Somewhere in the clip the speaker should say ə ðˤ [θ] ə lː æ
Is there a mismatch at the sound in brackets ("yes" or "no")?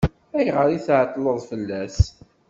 yes